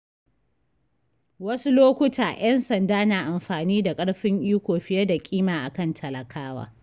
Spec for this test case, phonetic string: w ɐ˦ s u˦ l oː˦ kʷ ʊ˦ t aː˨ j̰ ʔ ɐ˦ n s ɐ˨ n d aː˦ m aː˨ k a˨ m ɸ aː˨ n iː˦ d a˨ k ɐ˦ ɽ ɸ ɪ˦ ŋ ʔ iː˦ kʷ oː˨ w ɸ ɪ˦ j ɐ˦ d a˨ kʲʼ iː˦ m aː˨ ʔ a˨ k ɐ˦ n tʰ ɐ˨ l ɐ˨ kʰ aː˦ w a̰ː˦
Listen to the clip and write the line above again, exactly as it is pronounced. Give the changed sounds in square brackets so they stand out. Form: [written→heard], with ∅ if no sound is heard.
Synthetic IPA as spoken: w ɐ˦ s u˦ l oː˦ kʷ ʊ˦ t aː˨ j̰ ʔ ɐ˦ n s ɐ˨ n d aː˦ [m→n] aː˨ [k→ʔ] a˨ m ɸ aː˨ n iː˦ d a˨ [k→kʼ] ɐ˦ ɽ ɸ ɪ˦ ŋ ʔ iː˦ kʷ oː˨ [w→∅] ɸ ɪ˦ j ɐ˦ d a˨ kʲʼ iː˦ m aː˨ ʔ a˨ k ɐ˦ n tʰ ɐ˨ l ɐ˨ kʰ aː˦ w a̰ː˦